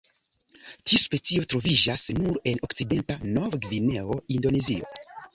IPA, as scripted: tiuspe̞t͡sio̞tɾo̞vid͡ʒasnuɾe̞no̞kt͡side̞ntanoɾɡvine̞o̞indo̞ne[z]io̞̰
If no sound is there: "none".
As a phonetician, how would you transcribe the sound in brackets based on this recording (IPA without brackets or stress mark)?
z